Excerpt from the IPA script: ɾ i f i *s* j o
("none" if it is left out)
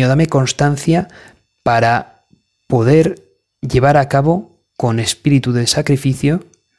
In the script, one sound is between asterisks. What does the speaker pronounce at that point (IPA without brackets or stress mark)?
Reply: θ